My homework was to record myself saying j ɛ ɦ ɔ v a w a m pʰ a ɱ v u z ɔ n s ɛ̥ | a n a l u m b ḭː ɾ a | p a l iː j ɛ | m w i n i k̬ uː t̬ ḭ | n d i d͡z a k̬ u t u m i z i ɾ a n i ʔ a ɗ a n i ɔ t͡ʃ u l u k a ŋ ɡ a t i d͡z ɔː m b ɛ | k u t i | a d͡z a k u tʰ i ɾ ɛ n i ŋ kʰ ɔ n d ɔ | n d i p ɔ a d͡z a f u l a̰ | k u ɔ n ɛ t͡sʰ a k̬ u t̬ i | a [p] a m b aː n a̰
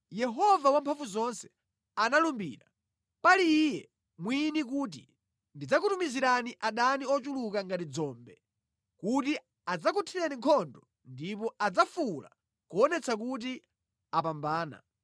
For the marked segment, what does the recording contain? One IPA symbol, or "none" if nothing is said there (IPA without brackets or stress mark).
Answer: p